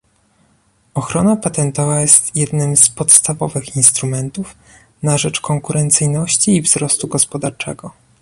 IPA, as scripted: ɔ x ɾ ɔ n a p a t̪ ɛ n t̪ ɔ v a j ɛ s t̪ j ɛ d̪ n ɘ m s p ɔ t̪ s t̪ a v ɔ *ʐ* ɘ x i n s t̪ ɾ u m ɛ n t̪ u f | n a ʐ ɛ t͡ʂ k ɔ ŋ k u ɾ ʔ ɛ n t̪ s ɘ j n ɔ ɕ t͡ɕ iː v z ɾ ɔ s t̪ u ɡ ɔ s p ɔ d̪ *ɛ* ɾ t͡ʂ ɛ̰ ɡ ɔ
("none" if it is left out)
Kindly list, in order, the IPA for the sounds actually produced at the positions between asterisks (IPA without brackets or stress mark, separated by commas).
v, a